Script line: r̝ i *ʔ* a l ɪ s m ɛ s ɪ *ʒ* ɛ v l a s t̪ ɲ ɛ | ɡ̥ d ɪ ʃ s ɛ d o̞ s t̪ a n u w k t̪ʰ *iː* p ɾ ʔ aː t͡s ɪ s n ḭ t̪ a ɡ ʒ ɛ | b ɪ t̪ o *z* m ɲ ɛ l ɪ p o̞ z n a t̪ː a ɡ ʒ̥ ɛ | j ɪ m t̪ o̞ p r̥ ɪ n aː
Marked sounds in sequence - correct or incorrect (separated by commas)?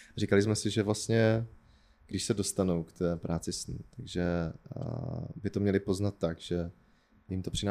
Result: incorrect, correct, incorrect, incorrect